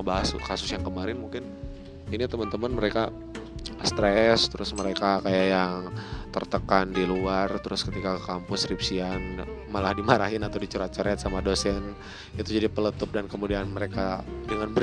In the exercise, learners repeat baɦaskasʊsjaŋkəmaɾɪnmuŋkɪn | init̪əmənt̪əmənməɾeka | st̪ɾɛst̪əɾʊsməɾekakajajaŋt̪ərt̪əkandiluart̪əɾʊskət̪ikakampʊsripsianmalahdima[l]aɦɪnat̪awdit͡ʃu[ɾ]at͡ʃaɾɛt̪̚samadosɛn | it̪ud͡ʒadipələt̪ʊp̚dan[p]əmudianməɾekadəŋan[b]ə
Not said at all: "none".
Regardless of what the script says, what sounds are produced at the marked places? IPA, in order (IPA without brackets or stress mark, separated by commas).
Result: ɾ, ɾ, k, b